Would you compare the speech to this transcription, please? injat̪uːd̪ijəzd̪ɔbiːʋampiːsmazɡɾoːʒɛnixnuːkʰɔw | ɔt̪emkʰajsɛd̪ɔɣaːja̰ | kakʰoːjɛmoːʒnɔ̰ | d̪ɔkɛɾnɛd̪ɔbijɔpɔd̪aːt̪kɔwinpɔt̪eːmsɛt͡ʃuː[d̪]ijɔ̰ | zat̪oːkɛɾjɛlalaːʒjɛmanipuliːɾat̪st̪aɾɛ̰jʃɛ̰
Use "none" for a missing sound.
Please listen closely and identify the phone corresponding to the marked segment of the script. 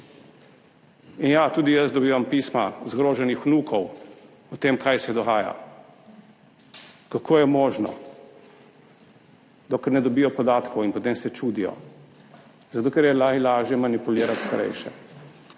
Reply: d̪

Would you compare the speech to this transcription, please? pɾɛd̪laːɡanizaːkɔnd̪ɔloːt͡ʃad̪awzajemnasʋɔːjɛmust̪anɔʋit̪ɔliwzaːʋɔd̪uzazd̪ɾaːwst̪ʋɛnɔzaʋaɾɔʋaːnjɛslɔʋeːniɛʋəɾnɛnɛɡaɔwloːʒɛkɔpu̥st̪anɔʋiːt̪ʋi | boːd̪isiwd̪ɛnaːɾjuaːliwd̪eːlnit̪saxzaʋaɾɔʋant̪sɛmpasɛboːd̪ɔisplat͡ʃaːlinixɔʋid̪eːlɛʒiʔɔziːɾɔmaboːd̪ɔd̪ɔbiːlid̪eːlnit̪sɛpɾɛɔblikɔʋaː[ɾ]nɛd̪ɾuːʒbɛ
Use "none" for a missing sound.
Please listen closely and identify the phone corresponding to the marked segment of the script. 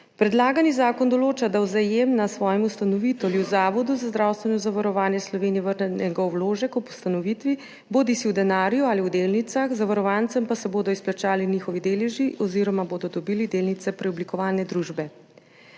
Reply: l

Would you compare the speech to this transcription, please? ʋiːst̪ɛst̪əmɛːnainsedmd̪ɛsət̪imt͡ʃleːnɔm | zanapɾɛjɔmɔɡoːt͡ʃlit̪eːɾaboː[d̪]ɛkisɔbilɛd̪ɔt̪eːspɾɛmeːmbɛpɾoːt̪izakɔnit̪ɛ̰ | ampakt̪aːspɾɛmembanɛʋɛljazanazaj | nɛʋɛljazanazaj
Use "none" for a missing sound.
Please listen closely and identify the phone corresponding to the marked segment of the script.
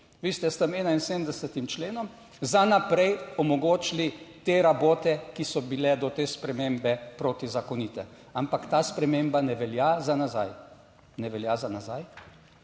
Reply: t̪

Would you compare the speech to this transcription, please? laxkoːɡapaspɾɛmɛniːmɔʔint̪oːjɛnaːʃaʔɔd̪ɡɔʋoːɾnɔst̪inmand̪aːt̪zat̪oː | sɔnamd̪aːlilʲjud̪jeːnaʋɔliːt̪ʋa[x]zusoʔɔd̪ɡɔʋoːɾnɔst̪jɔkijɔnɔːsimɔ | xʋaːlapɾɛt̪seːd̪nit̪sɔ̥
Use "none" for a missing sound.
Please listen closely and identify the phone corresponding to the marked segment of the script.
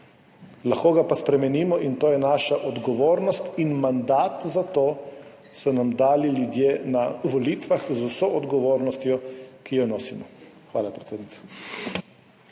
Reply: x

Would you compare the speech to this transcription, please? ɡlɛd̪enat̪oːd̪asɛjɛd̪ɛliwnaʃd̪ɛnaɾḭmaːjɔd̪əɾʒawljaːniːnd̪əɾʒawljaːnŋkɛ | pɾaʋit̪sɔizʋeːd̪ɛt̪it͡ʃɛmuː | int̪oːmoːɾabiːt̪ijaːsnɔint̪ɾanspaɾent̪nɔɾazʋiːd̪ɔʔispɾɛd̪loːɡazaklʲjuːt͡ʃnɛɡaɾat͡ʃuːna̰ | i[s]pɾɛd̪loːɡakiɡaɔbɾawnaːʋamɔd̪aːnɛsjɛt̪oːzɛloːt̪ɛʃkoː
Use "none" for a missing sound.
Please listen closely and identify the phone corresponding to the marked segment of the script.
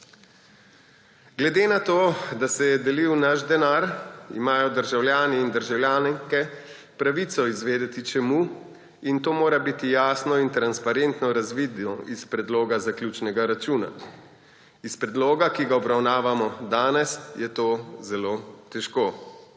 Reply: s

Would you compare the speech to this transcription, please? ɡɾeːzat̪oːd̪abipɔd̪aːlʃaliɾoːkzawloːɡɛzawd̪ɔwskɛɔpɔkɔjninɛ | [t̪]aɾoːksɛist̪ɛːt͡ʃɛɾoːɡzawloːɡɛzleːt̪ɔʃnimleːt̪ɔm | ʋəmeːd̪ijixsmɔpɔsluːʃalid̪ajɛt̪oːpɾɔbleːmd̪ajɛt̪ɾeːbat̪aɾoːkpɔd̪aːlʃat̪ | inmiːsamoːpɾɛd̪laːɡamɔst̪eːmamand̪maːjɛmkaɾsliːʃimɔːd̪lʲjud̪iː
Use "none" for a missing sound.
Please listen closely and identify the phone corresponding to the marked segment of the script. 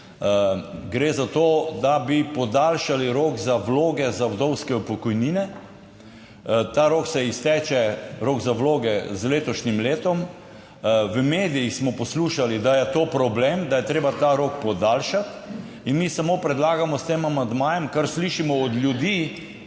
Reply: t̪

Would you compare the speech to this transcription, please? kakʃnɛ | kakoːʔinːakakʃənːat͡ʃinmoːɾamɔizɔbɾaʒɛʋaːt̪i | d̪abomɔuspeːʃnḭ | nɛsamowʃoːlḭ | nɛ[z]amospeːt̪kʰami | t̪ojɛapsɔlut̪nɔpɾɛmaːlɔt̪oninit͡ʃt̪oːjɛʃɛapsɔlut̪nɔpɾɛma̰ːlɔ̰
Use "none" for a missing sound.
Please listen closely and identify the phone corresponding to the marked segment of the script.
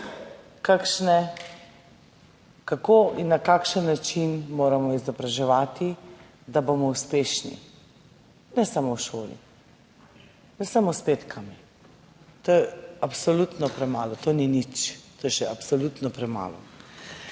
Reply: s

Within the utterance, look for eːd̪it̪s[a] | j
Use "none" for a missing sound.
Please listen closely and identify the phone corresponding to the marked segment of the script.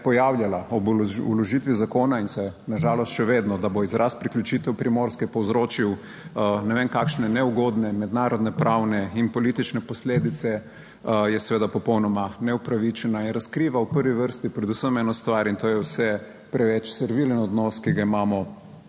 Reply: ɛ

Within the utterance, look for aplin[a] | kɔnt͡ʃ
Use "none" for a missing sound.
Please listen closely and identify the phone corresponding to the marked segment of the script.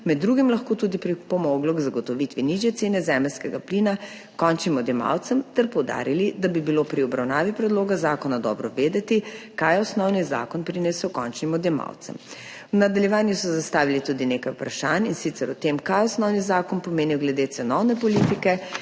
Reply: a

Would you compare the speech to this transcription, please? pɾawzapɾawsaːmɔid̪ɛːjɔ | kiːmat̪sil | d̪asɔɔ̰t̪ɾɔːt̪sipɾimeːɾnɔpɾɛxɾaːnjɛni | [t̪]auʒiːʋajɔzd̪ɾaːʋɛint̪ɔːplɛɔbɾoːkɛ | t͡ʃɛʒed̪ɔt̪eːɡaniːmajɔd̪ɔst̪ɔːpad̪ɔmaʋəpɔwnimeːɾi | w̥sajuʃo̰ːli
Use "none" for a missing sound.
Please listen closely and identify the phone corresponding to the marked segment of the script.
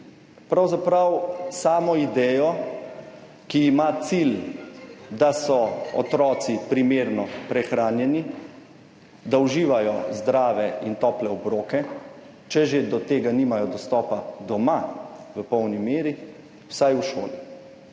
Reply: d̪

